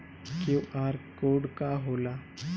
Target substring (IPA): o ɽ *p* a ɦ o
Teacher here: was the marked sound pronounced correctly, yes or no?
no